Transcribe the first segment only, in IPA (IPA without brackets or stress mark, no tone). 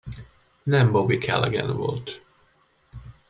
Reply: n